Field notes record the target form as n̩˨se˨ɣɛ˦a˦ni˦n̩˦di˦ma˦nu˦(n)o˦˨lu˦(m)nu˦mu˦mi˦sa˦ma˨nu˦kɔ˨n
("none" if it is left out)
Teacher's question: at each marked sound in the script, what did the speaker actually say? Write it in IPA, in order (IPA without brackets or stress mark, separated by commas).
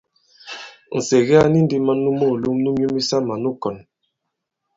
m, m